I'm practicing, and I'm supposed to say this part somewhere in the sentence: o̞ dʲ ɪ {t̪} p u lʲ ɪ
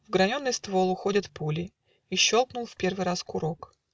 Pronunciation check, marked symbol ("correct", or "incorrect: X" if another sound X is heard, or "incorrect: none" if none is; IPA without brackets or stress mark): correct